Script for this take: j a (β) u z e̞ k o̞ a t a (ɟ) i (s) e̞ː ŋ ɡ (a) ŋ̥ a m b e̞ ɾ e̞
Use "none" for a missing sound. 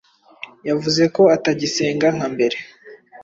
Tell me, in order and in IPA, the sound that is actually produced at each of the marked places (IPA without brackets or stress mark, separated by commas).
v, ɟ, s, a